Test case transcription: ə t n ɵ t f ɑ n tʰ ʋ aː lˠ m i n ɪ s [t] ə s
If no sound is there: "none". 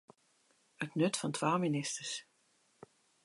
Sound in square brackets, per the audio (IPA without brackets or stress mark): t